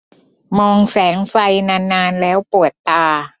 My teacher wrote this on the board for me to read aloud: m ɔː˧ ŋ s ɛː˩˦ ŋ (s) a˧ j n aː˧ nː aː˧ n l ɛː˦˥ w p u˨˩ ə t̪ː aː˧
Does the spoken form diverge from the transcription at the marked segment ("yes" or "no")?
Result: yes